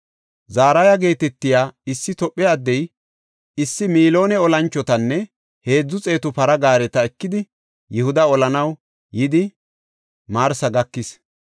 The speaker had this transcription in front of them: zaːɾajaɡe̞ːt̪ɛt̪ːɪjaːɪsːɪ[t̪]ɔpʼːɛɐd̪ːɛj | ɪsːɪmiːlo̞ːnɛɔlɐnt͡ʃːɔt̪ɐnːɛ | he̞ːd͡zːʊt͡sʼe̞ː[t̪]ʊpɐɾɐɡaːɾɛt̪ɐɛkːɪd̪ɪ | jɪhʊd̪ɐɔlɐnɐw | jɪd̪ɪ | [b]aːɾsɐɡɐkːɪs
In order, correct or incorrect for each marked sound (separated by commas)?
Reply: correct, correct, incorrect